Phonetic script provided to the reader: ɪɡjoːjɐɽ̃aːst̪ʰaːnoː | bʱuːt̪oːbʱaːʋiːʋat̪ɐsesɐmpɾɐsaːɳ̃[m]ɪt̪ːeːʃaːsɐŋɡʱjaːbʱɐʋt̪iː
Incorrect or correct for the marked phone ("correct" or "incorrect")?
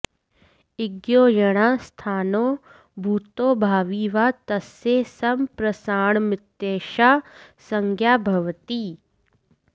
correct